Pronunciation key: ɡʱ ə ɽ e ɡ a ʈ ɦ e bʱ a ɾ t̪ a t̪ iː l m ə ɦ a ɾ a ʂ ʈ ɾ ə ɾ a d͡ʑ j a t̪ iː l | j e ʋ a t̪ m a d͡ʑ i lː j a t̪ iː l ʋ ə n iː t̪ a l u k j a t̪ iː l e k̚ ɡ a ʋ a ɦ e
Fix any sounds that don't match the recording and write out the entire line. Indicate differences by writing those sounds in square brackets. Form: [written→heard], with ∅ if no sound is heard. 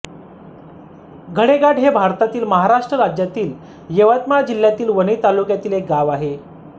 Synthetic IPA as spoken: ɡʱ ə ɽ e ɡ a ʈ ɦ e bʱ a ɾ t̪ a t̪ iː l m ə ɦ a ɾ a ʂ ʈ ɾ ə ɾ a d͡ʑ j a t̪ iː l | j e ʋ a t̪ m a d͡ʑ i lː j a t̪ iː l ʋ ə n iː t̪ a l u k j a t̪ iː l e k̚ ɡ a ʋ a ɦ e